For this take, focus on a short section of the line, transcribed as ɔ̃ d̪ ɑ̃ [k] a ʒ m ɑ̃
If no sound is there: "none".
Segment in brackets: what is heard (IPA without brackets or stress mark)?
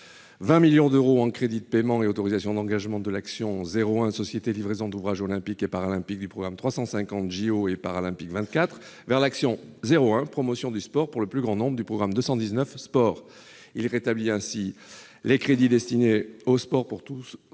ɡ